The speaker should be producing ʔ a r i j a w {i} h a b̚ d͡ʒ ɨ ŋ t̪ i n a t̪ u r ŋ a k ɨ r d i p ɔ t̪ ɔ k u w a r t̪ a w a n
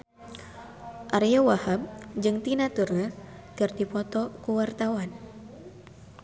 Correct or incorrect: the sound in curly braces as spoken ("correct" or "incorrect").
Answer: incorrect